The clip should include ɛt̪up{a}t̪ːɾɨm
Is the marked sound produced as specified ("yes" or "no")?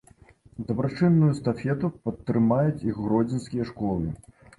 no